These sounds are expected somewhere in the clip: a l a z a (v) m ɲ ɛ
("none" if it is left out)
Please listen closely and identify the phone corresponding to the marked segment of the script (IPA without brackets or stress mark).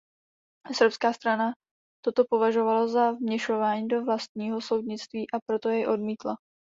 v